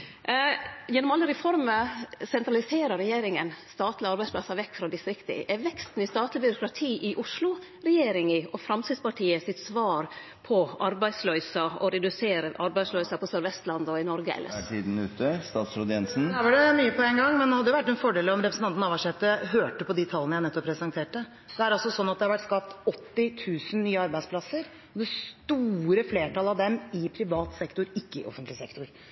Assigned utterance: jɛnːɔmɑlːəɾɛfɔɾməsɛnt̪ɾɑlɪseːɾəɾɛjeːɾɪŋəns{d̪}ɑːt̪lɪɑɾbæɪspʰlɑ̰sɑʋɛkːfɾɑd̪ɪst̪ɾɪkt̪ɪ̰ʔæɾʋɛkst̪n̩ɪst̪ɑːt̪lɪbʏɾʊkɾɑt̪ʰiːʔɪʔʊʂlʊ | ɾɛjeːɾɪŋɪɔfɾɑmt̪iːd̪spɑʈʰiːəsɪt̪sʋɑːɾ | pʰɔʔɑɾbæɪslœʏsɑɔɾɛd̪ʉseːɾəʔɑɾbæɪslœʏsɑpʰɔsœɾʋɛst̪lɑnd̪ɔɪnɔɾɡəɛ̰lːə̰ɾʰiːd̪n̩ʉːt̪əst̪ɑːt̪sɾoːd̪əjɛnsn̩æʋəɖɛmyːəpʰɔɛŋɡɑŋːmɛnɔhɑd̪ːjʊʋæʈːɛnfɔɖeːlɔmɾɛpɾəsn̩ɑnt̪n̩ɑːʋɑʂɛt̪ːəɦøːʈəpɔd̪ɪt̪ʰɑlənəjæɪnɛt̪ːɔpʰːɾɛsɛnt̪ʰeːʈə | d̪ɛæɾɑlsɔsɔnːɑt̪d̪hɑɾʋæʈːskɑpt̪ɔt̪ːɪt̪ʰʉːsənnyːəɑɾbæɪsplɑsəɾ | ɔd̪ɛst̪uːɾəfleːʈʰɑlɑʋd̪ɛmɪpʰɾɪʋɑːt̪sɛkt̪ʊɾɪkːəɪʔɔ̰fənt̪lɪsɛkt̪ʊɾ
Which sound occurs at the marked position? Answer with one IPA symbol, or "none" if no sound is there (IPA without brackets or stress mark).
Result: t̪